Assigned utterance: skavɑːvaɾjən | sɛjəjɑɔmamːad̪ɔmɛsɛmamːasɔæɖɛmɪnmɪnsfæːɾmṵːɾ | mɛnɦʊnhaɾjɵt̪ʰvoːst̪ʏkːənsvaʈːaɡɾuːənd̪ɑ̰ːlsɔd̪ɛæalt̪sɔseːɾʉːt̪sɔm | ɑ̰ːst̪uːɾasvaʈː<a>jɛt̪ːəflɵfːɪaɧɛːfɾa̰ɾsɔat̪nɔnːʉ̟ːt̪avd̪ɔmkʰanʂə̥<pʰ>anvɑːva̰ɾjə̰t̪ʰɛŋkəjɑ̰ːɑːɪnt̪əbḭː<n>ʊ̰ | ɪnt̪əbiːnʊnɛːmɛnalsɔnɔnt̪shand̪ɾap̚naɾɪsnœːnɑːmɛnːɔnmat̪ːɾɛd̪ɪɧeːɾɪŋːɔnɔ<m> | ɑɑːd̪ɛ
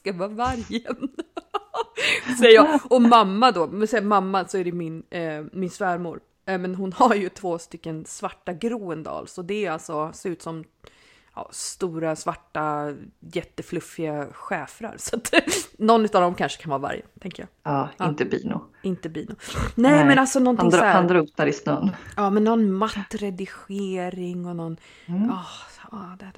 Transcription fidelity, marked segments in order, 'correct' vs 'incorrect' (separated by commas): correct, incorrect, correct, incorrect